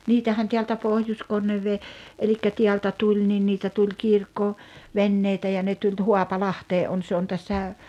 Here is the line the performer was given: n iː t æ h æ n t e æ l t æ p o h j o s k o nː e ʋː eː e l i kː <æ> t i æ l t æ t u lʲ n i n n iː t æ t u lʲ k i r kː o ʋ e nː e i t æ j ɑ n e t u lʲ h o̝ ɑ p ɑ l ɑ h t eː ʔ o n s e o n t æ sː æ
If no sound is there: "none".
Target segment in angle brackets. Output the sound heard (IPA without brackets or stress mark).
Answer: æ